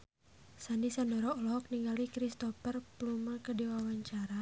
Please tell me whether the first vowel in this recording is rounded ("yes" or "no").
no